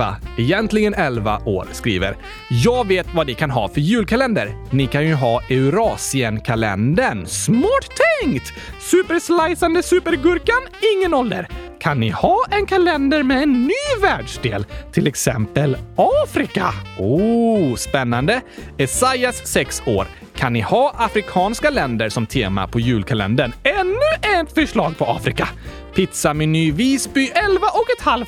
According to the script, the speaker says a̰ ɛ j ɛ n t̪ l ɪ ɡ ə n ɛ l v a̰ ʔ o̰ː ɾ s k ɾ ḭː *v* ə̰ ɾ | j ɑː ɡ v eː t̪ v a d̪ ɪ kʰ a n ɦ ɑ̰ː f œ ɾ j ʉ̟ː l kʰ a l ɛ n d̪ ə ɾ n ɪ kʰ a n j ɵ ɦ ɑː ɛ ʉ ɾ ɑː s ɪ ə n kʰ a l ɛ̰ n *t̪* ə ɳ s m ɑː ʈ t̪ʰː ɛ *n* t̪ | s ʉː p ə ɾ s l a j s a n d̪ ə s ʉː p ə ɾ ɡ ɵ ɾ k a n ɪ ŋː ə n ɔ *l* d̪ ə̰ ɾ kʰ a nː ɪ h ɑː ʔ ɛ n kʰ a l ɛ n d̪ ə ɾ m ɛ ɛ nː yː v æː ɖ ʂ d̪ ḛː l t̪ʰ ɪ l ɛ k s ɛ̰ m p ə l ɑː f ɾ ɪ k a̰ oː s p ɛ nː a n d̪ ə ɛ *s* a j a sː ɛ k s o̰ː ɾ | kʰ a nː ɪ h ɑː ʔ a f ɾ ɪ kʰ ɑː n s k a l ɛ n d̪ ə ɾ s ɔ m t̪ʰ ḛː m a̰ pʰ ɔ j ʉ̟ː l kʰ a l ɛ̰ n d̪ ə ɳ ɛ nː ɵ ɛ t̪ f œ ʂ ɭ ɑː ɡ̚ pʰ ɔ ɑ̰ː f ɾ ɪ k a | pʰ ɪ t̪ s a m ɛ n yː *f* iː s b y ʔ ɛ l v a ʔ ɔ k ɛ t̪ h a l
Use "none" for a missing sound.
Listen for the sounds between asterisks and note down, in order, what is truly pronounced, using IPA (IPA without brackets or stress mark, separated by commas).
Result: v, d̪, ŋ, l, s, v